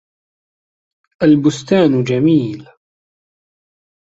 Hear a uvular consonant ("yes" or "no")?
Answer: no